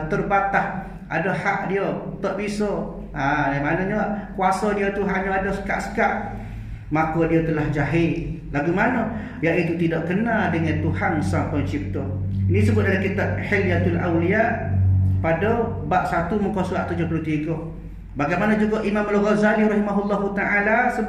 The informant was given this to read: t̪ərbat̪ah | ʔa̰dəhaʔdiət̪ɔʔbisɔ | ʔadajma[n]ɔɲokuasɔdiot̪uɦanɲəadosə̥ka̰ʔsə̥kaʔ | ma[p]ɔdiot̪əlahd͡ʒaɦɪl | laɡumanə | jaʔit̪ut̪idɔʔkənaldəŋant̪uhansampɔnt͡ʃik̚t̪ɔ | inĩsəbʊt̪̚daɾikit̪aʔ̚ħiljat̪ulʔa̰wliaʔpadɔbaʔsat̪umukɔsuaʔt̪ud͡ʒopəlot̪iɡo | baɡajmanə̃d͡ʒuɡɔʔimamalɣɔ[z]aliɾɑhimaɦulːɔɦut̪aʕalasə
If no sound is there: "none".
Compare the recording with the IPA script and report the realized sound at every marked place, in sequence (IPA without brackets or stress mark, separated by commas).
n, k, z